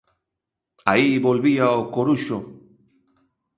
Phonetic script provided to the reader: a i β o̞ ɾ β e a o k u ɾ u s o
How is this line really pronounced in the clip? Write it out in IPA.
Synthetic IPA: a i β o̞ l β i a o k o ɾ u ʃ o

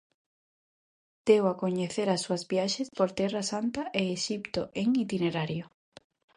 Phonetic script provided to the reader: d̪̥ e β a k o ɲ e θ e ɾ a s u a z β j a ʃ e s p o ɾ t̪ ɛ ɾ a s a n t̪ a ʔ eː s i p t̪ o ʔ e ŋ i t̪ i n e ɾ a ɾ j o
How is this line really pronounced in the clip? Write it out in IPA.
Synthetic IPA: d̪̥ e w a k o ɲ e θ e ɾ a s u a z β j a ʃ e s p o ɾ t̪ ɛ r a s a n t̪ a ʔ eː ʃ i p t̪ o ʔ e ŋ i t̪ i n e ɾ a ɾ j o

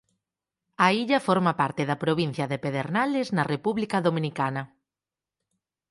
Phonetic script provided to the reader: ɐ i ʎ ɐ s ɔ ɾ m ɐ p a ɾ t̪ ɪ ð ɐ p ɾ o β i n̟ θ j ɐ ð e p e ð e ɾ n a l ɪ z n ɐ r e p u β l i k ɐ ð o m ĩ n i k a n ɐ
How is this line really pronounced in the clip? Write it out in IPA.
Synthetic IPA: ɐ i ʎ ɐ f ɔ ɾ m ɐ p a ɾ t̪ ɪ ð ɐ p ɾ o β i n̟ θ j ɐ ð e p e ð e ɾ n a l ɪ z n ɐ r e p u β l i k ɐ ð o m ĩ n i k a n ɐ

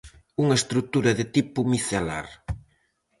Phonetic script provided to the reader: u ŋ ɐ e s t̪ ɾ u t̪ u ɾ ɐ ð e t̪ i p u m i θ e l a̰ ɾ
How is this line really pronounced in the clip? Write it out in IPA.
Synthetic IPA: u ŋ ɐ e s t̪ ɾ u t̪ u ɾ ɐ ð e t̪ i p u m i θ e l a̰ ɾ

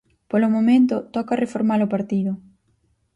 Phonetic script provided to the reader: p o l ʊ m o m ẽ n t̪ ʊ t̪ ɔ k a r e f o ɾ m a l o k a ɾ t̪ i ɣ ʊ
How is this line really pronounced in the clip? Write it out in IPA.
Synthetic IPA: p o l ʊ m o m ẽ n t̪ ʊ t̪ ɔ k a r e f o ɾ m a l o p a ɾ t̪ i ð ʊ

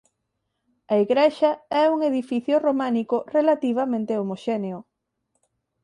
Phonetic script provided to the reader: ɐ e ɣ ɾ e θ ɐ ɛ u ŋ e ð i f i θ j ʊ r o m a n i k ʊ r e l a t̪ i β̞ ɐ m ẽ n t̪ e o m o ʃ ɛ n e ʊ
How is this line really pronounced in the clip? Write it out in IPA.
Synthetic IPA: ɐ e ɣ ɾ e ʃ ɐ ɛ u ŋ e ð i f i θ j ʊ r o m a n i k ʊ r e l a t̪ i β̞ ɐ m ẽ n t̪ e o m o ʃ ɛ n e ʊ

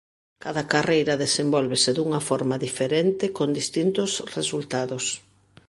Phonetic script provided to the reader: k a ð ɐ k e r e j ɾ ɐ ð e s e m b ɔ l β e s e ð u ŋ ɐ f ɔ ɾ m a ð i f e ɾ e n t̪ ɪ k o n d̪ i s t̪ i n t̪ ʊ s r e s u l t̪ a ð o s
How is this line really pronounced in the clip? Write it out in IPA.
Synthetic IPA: k a ð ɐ k a r e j ɾ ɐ ð e s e m b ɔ l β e s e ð u ŋ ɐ f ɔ ɾ m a ð i f e ɾ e n t̪ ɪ k o n d̪ i s t̪ i n t̪ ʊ s r e s u l t̪ a ð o s

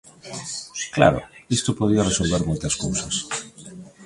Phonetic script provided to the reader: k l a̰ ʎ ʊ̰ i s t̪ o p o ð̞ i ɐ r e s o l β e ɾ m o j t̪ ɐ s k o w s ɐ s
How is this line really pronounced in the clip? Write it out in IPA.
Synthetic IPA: k l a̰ ɾ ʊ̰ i s t̪ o p o ð̞ i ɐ r e s o l β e ɾ m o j t̪ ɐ s k o w s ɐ s

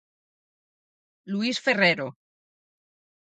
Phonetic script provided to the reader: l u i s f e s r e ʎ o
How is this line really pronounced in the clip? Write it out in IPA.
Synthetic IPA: l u i s f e r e ɾ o

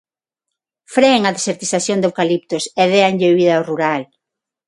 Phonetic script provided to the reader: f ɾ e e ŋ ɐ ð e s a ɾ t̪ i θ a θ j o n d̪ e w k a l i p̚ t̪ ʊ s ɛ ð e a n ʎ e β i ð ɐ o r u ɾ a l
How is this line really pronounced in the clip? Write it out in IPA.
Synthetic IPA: f ɾ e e ŋ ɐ ð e s e ɾ t̪ i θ a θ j o n d̪ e w k a l i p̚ t̪ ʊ s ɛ ð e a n ʎ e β i ð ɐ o r u ɾ a l

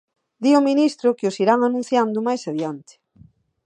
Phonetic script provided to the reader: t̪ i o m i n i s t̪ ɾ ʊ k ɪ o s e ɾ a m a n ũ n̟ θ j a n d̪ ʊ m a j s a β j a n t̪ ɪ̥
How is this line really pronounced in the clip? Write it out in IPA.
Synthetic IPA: d̪ i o m i n i s t̪ ɾ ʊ k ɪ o s i ɾ a ŋ a n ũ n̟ θ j a n d̪ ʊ m a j s a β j a n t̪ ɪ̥

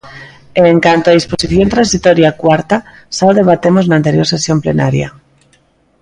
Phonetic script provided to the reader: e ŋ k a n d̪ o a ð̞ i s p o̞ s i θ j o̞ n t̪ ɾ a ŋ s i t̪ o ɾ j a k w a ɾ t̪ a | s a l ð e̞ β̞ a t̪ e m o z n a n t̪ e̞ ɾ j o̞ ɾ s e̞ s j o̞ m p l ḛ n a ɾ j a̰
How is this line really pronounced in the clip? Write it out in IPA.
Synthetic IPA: e ŋ k a n t̪ o a ð̞ i s p o̞ s i θ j o̞ n t̪ ɾ a n s i t̪ o ɾ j a k w a ɾ t̪ a | s a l ð e̞ β̞ a t̪ e m o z n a n t̪ e̞ ɾ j o̞ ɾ s e̞ s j o̞ m p l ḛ n a ɾ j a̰

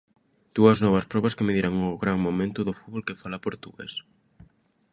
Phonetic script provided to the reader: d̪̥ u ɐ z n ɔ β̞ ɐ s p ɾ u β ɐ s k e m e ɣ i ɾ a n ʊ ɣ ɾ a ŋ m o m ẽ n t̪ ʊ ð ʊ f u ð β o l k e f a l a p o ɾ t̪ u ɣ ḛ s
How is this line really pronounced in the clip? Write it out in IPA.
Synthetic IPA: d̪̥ u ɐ z n ɔ β̞ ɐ s p ɾ ɔ β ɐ s k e m e ð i ɾ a ŋ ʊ ɣ ɾ a ŋ m o m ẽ n t̪ ʊ ð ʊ f u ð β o l k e f a l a p o ɾ t̪ u ɣ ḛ s

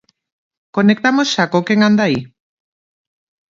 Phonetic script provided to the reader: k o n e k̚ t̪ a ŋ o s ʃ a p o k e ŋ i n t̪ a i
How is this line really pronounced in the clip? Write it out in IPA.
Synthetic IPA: k o n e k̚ t̪ a m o s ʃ a k o k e ŋ a n d̪ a i

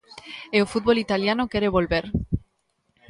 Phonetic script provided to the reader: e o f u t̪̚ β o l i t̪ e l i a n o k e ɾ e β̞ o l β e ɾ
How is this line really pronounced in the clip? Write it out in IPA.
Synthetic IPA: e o f u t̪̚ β o l i t̪ a l j a n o k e ɾ e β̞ o l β e ɾ

